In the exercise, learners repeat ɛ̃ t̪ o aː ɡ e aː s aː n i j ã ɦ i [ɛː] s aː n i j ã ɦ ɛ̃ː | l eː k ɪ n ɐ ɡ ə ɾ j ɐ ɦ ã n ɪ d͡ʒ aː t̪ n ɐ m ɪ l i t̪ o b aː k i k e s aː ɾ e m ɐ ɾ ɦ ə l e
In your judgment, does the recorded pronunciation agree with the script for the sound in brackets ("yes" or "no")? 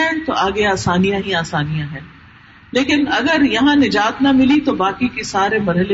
no